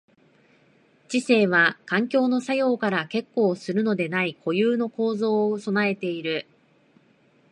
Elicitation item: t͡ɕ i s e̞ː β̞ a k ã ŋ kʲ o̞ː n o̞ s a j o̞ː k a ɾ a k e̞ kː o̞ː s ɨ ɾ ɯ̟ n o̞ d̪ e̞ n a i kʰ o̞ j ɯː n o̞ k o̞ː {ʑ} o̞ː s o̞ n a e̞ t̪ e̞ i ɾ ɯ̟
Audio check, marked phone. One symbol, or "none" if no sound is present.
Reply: z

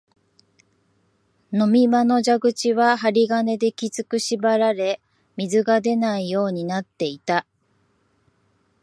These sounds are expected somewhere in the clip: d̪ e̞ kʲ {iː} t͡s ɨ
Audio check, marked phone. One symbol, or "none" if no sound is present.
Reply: i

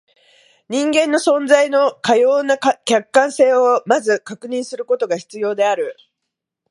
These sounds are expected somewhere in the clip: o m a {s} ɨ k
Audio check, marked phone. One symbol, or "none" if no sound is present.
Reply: z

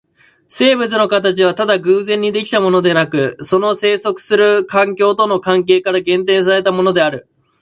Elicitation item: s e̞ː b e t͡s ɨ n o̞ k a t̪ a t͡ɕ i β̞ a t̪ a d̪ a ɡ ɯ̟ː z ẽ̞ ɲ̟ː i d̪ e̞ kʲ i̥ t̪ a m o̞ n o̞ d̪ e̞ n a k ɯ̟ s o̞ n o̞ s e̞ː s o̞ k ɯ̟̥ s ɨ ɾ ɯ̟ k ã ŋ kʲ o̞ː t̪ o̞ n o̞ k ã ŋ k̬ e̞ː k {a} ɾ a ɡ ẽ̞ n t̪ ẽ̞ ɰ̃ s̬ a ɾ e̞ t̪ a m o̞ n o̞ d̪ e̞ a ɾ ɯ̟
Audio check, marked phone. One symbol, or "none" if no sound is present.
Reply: a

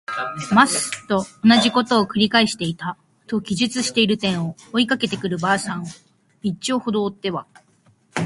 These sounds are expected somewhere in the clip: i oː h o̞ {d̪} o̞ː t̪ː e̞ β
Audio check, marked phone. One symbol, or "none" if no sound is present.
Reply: d̪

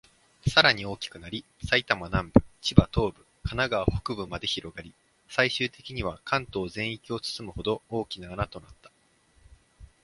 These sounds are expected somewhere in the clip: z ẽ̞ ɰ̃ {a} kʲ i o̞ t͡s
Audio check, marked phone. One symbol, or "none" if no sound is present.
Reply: i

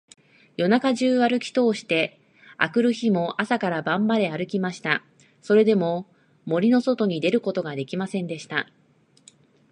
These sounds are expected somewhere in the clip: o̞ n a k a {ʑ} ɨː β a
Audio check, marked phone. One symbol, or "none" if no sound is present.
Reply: ʑ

